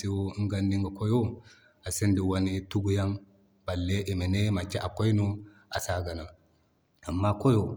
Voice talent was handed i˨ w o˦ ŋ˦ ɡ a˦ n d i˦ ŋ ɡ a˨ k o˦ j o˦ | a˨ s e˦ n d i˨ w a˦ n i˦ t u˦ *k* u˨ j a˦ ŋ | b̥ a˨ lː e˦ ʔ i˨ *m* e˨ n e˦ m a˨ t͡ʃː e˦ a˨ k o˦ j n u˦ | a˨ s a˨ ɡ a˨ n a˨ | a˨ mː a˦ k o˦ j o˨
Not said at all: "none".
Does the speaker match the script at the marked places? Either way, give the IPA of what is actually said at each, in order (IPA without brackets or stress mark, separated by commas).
ɡ, m